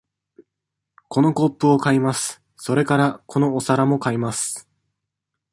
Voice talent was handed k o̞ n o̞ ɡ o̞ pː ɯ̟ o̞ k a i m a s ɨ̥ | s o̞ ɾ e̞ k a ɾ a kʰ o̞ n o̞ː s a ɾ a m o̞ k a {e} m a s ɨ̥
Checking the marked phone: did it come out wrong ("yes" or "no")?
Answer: yes